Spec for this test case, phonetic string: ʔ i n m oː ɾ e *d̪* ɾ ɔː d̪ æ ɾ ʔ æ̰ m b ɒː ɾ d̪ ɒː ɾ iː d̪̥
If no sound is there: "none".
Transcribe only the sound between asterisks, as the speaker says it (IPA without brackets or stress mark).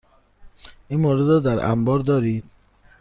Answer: d̪